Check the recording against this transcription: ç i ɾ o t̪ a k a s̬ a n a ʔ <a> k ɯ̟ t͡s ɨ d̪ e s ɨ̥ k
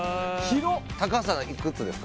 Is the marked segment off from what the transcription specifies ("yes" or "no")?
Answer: yes